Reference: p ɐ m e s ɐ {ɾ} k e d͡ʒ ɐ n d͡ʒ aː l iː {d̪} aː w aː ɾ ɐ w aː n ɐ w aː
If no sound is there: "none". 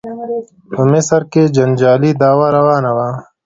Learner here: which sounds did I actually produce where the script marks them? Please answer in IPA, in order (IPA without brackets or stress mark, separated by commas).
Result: ɾ, d̪